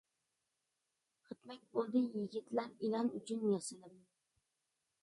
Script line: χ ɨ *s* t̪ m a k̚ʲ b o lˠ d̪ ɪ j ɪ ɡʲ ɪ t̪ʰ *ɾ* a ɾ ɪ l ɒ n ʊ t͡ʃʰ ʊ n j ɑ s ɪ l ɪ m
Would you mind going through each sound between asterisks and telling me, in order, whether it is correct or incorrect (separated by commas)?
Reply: incorrect, incorrect